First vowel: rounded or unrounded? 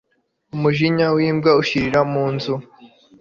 rounded